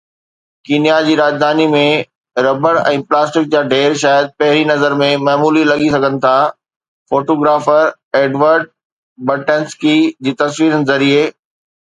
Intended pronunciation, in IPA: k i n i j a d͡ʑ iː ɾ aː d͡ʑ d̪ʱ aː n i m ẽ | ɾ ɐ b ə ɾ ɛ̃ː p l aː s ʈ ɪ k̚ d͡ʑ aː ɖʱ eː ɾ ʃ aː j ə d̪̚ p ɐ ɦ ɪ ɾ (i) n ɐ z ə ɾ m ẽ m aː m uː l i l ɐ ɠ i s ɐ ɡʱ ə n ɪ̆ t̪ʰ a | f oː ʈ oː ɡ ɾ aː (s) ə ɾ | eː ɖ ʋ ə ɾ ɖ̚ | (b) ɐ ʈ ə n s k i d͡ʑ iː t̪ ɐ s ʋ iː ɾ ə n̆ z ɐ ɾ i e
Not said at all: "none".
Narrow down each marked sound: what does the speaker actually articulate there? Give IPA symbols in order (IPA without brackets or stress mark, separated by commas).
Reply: i, f, b